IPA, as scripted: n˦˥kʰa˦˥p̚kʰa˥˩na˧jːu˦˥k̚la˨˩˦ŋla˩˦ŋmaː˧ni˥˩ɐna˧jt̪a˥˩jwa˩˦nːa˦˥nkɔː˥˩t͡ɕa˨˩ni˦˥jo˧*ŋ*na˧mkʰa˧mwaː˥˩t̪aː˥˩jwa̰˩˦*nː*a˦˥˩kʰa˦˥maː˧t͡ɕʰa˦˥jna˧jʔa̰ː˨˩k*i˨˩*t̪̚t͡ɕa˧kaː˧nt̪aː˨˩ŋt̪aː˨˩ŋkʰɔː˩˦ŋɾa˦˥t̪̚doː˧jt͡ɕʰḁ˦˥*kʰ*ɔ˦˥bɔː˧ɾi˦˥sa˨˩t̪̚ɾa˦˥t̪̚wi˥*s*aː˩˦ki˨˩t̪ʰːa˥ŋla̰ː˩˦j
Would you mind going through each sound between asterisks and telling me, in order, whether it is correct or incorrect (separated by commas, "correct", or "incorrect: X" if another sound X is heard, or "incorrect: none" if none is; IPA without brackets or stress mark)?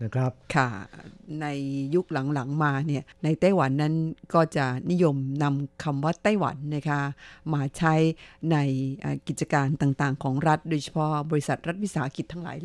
incorrect: m, correct, correct, incorrect: pʰ, correct